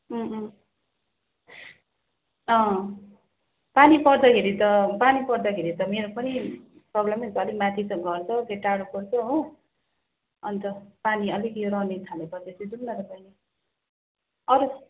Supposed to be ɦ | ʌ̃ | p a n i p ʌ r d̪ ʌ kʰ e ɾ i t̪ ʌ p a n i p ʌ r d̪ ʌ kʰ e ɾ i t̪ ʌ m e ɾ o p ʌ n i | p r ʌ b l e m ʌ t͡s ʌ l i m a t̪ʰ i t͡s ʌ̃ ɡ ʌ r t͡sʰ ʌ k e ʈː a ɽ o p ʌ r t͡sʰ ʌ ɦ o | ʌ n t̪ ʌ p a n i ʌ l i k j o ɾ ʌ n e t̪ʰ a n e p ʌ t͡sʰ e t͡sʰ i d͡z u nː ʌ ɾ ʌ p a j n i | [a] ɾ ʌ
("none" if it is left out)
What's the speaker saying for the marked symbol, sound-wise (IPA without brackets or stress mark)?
ʌ